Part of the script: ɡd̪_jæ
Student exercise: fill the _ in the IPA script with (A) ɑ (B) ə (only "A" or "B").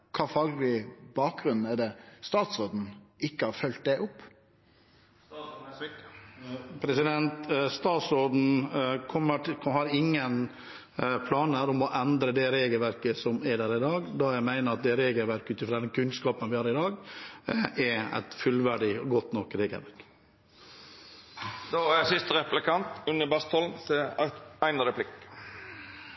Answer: A